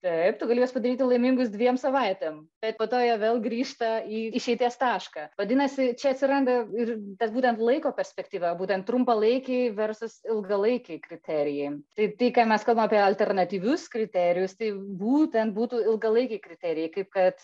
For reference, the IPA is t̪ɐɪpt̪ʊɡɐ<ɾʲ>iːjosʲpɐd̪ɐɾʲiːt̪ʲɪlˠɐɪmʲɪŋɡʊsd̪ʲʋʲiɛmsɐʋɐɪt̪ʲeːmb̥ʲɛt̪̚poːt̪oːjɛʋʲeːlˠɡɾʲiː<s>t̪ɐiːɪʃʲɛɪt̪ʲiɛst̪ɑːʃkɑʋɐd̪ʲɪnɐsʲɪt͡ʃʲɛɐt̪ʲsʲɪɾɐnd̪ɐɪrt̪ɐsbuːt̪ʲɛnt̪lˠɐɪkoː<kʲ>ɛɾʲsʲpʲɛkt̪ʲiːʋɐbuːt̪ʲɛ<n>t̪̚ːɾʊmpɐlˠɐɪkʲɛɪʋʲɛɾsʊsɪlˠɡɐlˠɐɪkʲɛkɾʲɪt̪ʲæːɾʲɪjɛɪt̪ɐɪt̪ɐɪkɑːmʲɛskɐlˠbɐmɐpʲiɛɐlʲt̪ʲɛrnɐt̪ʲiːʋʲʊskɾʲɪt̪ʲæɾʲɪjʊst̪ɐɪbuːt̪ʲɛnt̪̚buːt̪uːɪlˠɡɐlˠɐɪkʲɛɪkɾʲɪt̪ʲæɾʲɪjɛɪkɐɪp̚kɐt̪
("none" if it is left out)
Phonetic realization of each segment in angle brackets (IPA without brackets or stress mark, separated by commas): lʲ, ʃ, pʲ, n